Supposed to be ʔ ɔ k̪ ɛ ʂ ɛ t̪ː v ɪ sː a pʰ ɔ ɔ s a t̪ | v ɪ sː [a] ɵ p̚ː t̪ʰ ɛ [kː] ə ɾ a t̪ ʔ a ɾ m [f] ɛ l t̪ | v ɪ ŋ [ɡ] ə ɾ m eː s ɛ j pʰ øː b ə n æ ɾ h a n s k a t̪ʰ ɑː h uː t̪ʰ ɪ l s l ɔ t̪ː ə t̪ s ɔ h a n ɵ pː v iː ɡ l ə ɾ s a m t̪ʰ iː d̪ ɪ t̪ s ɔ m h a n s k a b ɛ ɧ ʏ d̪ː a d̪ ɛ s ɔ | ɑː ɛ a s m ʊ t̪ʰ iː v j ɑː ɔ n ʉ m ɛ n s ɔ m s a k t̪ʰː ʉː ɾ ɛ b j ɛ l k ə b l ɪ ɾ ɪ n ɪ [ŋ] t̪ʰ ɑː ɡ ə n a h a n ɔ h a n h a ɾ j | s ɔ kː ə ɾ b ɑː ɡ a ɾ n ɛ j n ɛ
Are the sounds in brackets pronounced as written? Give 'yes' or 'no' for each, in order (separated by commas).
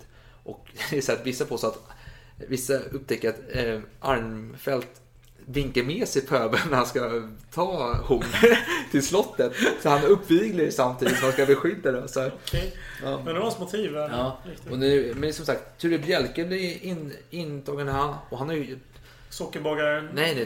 yes, yes, yes, no, no